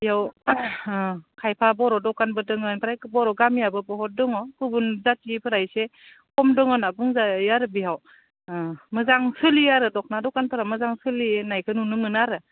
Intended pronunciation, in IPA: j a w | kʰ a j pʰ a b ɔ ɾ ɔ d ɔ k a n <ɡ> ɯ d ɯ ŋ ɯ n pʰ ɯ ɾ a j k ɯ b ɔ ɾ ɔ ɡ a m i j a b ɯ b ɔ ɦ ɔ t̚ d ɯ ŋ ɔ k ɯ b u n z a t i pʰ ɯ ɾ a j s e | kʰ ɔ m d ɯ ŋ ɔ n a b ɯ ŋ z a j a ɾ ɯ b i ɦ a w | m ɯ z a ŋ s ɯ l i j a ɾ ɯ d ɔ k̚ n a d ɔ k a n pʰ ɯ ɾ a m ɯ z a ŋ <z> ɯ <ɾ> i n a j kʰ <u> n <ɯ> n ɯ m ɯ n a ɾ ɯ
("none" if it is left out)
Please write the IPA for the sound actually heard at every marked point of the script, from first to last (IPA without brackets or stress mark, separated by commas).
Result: b, s, l, ɯ, u